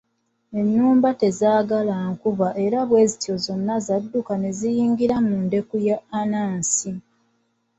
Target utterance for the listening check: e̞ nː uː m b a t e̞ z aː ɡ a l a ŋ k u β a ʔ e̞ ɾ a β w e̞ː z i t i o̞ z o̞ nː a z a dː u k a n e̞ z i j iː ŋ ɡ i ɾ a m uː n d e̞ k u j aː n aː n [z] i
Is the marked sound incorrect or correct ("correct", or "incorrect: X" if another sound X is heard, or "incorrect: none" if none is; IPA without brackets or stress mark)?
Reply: incorrect: s